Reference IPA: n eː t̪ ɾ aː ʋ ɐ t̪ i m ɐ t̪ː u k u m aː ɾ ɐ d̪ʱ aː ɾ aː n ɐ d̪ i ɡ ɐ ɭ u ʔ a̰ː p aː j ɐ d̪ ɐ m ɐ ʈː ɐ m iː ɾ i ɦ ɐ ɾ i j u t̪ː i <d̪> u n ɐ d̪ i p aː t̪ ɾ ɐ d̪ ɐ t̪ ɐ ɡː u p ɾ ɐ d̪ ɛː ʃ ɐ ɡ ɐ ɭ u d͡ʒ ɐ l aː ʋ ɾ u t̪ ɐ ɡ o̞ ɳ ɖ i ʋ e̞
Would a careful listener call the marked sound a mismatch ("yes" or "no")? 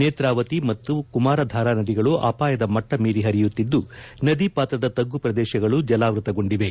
yes